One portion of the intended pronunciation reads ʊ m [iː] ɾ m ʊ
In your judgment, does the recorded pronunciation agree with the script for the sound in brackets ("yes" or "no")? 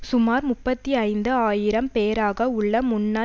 no